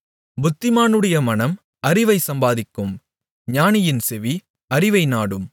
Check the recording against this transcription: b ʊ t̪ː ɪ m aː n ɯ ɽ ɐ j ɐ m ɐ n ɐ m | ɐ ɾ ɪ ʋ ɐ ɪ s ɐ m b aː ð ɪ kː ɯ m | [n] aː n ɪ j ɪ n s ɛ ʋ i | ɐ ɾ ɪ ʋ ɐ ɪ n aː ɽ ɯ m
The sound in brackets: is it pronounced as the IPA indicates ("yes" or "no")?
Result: no